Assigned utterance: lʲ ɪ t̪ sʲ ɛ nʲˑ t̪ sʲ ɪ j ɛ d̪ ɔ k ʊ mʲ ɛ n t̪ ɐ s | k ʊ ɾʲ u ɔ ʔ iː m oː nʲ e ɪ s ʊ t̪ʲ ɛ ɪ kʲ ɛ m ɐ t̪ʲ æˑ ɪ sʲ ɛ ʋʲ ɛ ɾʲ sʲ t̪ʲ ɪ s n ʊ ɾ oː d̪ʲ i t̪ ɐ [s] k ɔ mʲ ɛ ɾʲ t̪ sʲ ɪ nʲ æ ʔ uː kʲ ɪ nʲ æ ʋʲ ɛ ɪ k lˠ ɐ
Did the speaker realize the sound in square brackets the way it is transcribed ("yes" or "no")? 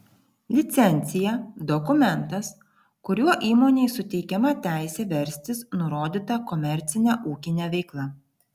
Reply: no